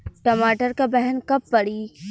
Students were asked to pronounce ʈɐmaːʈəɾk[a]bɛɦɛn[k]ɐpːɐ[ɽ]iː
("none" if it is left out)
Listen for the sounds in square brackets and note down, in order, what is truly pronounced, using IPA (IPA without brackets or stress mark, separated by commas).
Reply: a, k, ɽ